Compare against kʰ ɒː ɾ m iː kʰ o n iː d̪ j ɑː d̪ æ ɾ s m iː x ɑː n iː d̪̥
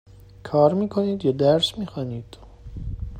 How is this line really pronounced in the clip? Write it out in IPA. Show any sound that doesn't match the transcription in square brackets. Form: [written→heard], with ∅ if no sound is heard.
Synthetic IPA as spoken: kʰ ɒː ɾ m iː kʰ o n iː d̪ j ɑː d̪ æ ɾ s m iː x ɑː n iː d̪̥